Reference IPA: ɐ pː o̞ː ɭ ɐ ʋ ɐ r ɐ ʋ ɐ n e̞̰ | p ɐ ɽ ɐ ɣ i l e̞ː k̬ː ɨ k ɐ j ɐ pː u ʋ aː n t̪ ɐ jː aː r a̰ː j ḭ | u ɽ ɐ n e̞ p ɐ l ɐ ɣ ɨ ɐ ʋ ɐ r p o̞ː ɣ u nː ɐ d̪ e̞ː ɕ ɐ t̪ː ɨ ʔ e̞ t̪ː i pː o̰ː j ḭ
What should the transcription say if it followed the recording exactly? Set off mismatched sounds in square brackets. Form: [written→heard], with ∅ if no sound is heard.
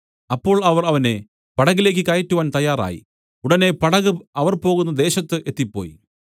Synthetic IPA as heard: ɐ pː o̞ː ɭ ɐ ʋ ɐ r ɐ ʋ ɐ n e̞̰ | p ɐ ɽ ɐ ɣ i l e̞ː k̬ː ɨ k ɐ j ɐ [pː→tː] u ʋ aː n t̪ ɐ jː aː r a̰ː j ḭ | u ɽ ɐ n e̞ p ɐ [l→ɽ] ɐ ɣ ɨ ɐ ʋ ɐ r p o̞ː ɣ u nː ɐ d̪ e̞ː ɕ ɐ t̪ː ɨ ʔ e̞ t̪ː i pː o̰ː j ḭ